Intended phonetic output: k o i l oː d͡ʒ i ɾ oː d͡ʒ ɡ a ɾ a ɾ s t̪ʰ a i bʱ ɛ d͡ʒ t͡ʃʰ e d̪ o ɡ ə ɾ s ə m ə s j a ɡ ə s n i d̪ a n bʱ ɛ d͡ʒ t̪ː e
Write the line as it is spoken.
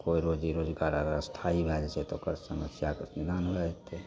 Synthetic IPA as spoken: k o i ɾ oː d͡ʒ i ɾ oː d͡ʒ ɡ a ɾ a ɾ s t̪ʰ a i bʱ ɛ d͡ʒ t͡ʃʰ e t̪ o k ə ɾ s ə m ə s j a k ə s n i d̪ a n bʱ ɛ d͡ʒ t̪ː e